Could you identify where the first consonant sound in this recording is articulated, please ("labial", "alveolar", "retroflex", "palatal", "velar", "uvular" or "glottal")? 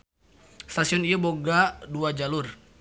alveolar